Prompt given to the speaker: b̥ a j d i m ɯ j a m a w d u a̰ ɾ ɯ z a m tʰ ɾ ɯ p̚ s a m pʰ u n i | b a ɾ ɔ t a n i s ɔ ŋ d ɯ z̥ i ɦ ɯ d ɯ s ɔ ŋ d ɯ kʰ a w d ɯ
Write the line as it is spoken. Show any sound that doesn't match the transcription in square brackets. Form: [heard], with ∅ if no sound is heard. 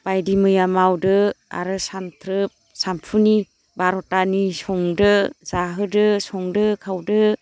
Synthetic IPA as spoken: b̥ a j d i m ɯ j a m a w d [ɯ] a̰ ɾ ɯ [s] a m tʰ ɾ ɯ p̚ s a m pʰ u n i | b a ɾ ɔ t a n i s ɔ ŋ d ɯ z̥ [a] ɦ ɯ d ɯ s ɔ ŋ d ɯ kʰ a w d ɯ